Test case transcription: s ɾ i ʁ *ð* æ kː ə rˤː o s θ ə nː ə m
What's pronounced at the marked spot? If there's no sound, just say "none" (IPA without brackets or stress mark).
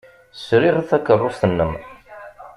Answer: θ